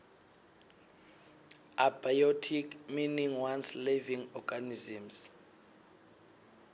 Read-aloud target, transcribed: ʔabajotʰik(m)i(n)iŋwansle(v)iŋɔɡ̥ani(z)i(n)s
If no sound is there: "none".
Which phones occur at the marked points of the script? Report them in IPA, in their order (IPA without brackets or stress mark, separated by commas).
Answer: m, n, v, z, m